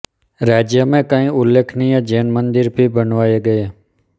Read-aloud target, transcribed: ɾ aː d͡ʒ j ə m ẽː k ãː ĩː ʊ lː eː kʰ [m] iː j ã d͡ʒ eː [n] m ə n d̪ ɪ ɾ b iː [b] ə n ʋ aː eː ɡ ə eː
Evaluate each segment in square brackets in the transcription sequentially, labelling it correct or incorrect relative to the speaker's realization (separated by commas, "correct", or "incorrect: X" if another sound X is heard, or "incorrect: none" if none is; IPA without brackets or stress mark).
incorrect: n, correct, correct